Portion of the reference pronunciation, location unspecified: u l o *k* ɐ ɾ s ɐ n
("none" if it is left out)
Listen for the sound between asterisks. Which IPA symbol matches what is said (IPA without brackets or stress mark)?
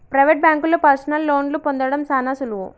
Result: p